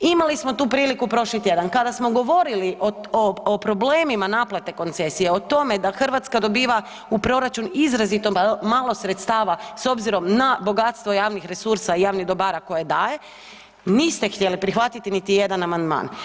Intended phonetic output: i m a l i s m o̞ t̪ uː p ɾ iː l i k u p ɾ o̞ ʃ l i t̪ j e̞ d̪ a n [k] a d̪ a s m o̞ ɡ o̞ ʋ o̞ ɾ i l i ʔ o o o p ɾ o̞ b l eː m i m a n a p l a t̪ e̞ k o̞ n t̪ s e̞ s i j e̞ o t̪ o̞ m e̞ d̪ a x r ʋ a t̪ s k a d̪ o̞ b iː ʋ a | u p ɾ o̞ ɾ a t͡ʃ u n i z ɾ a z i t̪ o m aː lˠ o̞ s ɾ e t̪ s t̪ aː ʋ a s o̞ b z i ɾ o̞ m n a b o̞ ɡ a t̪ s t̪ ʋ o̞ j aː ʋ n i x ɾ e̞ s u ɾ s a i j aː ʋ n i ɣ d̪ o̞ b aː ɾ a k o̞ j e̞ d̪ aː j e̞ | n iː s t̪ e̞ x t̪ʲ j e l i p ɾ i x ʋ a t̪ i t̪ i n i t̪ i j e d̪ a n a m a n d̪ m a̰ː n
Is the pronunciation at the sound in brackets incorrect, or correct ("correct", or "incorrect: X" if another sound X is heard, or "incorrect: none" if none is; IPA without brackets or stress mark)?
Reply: correct